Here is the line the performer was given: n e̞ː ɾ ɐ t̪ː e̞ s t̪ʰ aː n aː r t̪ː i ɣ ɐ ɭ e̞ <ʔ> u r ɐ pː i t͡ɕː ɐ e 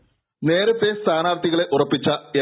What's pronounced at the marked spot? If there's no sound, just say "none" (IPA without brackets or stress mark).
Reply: ʔ